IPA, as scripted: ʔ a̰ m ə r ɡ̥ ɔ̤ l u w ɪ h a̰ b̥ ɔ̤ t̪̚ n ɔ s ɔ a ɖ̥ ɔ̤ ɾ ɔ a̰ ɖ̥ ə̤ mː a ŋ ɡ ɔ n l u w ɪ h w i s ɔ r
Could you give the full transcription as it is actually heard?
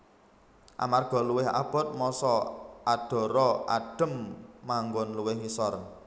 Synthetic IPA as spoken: ʔ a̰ m a r ɡ̥ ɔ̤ l u w ɪ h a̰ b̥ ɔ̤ t̪̚ m ɔ s ɔ a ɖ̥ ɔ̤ ɾ ɔ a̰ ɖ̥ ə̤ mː a ŋ ɡ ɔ n l u w ɪ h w i s ɔ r